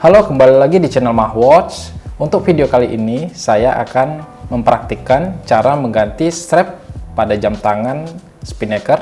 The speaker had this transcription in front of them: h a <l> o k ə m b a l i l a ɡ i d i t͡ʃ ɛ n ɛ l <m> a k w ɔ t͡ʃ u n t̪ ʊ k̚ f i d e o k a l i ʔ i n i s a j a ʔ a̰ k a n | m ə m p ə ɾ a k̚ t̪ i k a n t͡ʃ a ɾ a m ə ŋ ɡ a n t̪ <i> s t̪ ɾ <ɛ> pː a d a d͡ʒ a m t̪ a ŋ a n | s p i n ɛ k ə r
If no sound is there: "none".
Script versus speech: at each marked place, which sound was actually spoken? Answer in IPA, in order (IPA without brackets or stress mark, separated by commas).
l, m, i, ɛ